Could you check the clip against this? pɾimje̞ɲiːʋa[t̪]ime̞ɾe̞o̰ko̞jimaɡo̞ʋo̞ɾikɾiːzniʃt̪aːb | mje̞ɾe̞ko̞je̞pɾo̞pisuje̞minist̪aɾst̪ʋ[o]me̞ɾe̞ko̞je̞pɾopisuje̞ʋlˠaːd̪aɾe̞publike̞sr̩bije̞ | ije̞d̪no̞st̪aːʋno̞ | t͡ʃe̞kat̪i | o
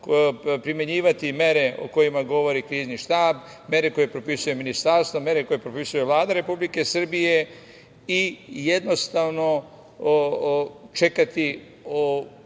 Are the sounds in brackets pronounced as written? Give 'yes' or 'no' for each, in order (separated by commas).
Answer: yes, yes